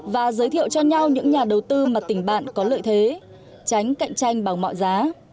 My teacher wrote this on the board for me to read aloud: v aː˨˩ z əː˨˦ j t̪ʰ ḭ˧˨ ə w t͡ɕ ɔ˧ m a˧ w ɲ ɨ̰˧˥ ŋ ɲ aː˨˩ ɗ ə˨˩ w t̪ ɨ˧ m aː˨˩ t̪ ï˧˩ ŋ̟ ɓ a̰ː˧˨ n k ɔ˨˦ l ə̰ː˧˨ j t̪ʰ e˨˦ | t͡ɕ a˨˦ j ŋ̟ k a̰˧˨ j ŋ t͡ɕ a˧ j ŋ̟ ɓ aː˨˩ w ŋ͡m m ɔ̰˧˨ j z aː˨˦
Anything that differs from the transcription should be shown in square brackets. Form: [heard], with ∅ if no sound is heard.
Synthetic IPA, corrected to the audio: v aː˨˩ z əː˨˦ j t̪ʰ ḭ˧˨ ə w t͡ɕ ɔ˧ [ɲ] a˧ w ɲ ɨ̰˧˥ ŋ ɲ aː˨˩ ɗ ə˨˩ w t̪ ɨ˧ m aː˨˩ t̪ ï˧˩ ŋ̟ ɓ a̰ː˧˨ n k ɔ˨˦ l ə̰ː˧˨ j t̪ʰ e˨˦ | t͡ɕ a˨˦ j ŋ̟ k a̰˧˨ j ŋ t͡ɕ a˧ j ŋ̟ ɓ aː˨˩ w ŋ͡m m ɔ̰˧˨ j z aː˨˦